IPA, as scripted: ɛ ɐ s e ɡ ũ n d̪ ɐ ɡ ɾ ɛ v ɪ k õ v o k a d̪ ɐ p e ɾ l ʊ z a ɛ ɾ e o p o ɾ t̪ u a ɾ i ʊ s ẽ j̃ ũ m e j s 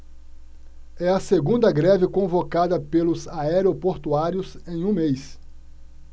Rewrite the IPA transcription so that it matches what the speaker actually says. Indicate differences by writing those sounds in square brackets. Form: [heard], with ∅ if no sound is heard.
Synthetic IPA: ɛ ɐ s e ɡ ũ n d̪ ɐ ɡ ɾ ɛ v ɪ k õ v o k a d̪ ɐ p e [∅] l ʊ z a ɛ ɾ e o p o ɾ t̪ u a ɾ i ʊ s ẽ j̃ ũ m e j s